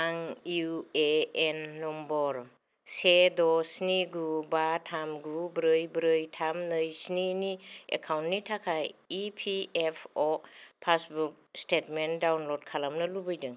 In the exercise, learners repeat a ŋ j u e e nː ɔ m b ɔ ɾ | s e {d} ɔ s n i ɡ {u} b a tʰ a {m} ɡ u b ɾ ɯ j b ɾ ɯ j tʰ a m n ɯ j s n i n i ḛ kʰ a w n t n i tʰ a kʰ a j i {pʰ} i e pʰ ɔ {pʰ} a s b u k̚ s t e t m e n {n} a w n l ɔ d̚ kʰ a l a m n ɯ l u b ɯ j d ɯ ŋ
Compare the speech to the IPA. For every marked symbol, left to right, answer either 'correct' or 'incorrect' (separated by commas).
correct, correct, correct, correct, correct, incorrect